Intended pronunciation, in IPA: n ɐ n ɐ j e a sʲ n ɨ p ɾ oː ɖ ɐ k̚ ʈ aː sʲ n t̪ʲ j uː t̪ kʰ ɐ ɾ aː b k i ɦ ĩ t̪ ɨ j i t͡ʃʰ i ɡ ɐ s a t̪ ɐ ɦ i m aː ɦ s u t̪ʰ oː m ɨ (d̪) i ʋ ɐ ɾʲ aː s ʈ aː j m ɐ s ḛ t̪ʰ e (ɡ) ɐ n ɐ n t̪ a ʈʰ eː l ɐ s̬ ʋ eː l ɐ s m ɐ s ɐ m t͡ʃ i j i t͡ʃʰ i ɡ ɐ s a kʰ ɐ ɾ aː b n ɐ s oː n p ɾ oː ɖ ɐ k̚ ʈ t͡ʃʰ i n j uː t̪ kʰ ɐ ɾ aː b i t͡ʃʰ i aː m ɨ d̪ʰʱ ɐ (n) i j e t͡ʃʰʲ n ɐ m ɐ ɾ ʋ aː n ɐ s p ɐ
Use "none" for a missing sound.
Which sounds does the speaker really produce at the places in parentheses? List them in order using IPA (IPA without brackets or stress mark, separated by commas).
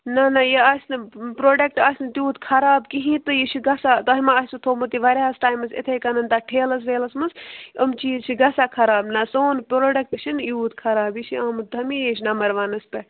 t̪, k, m